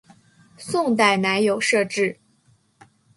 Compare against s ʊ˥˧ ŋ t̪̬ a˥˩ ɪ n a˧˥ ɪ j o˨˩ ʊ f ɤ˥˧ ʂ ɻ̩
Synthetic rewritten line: s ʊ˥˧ ŋ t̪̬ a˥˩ ɪ n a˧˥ ɪ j o˨˩ ʊ ʂ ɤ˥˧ ʈ͡ʂ ɻ̩